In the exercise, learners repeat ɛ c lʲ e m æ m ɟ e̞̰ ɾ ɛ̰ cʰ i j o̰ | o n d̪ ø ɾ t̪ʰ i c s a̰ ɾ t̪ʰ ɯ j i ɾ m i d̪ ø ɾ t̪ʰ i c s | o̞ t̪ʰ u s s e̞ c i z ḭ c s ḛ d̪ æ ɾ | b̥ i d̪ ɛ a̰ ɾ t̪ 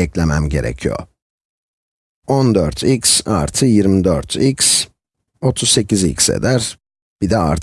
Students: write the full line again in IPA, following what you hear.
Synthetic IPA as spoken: ɛ c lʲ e m æ m ɟ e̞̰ ɾ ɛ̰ cʰ i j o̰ | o n d̪ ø ɾ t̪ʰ i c s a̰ ɾ t̪ʰ ɯ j i ɾ m i d̪ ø ɾ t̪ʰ i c s | o̞ t̪ʰ u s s e̞ c i z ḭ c s ḛ d̪ æ ɾ | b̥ i d̪ ɛ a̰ ɾ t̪